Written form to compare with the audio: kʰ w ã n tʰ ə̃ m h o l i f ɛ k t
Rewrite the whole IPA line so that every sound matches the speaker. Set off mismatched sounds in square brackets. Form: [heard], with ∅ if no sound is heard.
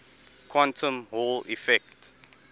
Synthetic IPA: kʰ w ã n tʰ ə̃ m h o l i f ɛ k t